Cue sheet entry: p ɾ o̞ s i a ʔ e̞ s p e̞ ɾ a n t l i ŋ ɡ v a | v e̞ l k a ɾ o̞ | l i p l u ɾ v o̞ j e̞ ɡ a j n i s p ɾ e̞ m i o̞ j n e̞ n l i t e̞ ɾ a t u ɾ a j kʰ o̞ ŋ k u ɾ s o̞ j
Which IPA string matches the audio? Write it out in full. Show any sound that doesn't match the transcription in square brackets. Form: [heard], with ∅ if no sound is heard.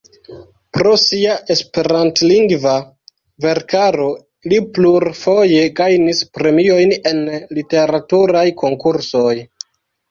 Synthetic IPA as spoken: p ɾ o̞ s i a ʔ e̞ s p e̞ ɾ a n t l i ŋ ɡ v a | v e̞ [ɾ] k a ɾ o̞ | l i p l u ɾ [f] o̞ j e̞ ɡ a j n i s p ɾ e̞ m i o̞ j n e̞ n l i t e̞ ɾ a t u ɾ a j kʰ o̞ ŋ k u ɾ s o̞ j